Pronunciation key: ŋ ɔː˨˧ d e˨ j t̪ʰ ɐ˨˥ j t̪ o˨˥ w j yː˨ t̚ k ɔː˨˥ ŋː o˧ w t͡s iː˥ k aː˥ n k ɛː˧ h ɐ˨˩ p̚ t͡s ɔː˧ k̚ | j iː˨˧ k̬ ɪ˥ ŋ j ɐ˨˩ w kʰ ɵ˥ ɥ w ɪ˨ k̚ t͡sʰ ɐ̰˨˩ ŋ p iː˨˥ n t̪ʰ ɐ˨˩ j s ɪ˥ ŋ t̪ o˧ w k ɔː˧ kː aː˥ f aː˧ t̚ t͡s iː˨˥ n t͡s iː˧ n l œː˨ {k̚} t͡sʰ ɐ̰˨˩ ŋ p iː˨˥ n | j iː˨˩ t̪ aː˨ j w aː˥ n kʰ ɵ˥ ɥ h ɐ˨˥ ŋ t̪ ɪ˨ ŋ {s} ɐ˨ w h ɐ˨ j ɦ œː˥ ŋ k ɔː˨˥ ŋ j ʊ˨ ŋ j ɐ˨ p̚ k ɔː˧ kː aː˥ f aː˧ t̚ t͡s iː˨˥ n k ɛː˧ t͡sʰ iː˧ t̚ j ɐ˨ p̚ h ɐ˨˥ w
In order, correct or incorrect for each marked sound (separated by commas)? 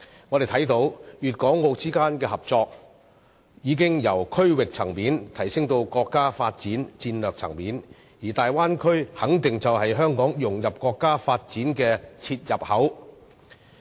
correct, incorrect